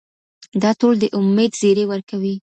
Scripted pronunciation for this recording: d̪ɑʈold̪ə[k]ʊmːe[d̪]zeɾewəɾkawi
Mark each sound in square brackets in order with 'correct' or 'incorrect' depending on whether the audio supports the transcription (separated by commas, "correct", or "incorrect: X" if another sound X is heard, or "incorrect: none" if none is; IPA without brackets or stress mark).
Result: incorrect: ʔ, correct